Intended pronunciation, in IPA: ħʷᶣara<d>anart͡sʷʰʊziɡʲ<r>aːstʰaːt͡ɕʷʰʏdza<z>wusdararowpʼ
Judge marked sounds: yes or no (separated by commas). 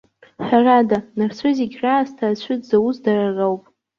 yes, yes, no